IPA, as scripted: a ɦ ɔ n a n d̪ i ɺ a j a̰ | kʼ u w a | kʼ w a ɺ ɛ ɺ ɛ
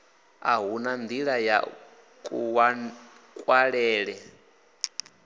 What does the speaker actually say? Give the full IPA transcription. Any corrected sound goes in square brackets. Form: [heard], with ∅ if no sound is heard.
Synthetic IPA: a ɦ [u] n a n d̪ i ɺ a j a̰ | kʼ u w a | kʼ w a ɺ [ɛː] ɺ ɛ